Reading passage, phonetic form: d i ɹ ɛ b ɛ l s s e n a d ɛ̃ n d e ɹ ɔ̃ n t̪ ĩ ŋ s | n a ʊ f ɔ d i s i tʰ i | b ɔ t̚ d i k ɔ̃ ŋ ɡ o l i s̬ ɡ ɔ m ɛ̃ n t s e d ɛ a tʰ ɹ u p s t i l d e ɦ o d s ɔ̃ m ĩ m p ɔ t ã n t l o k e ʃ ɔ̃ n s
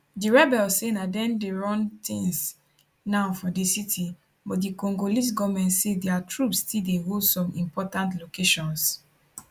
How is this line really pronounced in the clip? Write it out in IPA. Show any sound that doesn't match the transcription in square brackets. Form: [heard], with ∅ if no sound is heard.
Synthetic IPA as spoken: d i ɹ ɛ b ɛ l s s e n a d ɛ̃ n d e ɹ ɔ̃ n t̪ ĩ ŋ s | n a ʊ f ɔ d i s i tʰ i | b ɔ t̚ d i k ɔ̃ ŋ ɡ o l i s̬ ɡ ɔ m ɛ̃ n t s e d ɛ a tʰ ɹ u p s t i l d e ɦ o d s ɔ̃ m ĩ m p ɔ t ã n t l o k e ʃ ɔ̃ n s